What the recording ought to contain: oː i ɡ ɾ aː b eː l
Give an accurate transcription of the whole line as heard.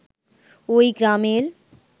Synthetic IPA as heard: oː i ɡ ɾ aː m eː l